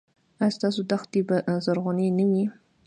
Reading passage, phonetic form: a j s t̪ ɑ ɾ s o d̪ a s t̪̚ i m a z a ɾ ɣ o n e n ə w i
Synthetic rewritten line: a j s t̪ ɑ s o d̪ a x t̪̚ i b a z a ɾ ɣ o n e n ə w i